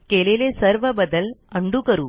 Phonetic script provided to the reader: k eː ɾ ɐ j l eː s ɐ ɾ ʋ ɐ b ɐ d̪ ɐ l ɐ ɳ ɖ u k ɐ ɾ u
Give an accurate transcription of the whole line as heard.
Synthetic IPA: k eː l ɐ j l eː s ɐ ɾ ʋ ɐ b ɐ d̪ ɐ l ɐ ɳ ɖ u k ɐ ɾ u